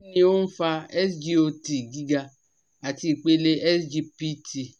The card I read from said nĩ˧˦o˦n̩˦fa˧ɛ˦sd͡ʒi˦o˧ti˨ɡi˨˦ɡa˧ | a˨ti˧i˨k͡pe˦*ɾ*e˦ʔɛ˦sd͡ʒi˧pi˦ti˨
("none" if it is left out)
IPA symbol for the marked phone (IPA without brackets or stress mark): l